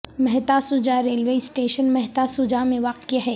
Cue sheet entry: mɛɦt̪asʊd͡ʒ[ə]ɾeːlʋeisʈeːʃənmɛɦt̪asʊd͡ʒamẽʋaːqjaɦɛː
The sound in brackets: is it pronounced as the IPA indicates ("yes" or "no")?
no